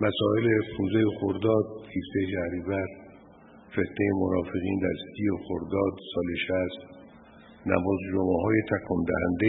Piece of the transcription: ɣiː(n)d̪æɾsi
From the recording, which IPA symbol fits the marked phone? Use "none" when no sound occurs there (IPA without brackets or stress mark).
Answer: n